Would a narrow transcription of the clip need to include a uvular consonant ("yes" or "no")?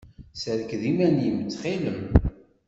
yes